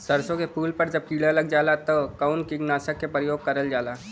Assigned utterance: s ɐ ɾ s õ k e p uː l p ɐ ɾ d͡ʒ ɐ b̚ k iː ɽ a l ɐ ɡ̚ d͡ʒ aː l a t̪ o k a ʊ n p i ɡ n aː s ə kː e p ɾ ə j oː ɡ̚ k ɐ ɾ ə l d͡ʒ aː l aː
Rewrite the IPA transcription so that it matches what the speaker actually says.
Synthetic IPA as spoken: s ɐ ɾ s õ k e p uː l p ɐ ɾ d͡ʒ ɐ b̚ k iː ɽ a l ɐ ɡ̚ d͡ʒ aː l a t̪ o k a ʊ n k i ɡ n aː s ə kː e p ɾ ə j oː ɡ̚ k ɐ ɾ ə l d͡ʒ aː l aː